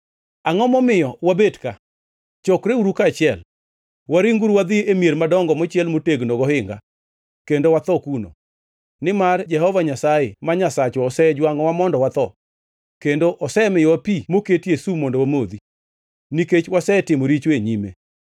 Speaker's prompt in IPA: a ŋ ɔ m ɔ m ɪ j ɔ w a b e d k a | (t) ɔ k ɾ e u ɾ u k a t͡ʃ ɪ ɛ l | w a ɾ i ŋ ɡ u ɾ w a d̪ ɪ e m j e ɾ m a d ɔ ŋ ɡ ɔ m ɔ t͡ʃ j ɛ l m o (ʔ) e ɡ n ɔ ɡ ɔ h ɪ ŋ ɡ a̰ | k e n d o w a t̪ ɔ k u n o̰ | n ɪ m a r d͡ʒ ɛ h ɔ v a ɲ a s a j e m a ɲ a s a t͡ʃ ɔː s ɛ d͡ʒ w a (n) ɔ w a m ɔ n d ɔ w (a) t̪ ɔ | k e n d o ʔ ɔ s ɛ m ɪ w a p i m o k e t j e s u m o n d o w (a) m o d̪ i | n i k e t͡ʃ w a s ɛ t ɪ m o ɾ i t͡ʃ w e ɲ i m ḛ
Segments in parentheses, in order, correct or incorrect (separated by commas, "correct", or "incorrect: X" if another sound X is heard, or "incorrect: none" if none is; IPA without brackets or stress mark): incorrect: t͡ʃ, incorrect: t, incorrect: ŋ, correct, correct